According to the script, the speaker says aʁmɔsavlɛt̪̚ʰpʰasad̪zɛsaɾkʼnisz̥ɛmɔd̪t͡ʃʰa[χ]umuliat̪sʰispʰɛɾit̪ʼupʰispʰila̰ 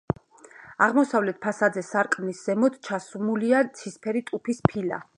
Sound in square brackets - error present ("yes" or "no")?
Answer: yes